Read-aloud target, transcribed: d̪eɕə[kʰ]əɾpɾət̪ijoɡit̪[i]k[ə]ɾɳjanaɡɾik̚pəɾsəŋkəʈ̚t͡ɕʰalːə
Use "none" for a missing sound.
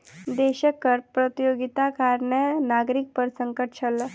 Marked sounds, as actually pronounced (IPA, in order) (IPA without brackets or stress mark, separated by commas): k, a, a